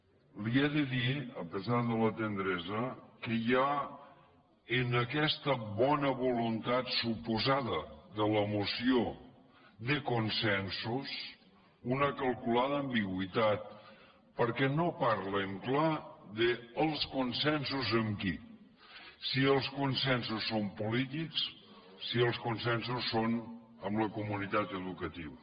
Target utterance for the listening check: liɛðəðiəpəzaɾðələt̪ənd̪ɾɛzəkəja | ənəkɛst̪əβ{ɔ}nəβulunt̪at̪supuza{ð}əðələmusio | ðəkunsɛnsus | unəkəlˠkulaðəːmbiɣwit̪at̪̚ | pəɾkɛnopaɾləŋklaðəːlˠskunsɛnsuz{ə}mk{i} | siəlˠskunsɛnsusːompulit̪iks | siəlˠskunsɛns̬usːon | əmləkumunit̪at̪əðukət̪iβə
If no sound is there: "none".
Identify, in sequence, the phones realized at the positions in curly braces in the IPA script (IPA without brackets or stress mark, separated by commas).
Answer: ɔ, ð, ə, i